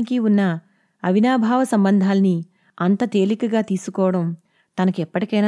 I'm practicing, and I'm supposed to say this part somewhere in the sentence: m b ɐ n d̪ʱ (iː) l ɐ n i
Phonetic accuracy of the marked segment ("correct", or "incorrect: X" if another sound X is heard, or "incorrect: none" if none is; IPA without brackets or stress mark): incorrect: aː